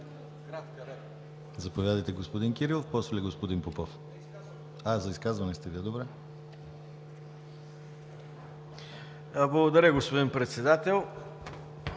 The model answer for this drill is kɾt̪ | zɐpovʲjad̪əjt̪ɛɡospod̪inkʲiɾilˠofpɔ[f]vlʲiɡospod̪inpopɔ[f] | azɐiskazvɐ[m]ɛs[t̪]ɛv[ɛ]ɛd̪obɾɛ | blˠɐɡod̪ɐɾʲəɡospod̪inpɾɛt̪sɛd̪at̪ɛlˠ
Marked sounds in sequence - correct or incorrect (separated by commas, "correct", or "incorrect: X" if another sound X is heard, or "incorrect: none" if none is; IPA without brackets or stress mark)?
incorrect: s, correct, incorrect: n, correct, incorrect: i